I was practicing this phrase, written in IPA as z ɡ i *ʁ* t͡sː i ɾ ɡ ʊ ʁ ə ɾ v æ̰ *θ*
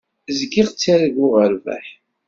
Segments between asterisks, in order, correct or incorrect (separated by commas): correct, incorrect